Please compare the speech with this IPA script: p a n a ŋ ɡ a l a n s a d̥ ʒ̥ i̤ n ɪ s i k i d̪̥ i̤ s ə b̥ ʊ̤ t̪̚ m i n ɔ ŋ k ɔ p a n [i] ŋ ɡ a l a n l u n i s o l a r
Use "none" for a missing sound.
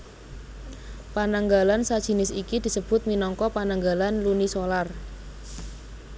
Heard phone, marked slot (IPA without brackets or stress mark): a